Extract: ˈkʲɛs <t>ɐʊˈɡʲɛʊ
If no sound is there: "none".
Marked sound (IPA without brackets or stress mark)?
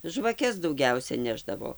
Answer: d